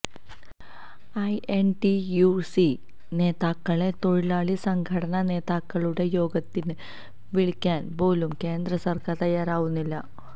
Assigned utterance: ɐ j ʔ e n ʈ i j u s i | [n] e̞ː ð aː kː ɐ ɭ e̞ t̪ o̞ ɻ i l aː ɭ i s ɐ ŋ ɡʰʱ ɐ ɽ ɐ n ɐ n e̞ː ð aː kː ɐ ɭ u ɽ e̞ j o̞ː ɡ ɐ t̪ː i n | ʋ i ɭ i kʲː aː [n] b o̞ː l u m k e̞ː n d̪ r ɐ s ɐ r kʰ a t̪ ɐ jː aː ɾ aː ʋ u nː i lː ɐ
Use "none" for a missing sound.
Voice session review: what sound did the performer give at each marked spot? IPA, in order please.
n, n

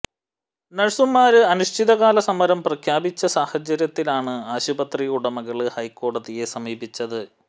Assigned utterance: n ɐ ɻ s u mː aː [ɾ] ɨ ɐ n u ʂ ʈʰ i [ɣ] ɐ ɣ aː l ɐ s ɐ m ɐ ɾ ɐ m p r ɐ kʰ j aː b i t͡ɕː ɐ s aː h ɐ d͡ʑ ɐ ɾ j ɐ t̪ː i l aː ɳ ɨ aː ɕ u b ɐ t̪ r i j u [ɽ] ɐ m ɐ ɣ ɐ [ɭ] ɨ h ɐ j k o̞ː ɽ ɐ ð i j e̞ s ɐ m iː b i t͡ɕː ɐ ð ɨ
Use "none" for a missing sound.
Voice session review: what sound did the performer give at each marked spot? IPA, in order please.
ɾ, ð, ɽ, ɭ

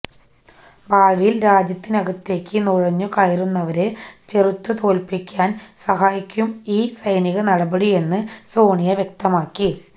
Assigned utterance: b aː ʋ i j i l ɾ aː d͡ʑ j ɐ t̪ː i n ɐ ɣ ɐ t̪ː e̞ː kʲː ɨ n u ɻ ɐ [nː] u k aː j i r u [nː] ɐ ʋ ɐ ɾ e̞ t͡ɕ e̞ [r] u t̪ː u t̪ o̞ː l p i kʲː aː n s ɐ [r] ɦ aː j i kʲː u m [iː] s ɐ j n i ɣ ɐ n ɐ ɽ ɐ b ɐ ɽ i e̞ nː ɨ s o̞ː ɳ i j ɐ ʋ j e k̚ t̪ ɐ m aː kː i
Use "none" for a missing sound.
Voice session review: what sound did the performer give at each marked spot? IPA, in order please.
ɲː, nː, r, none, iː

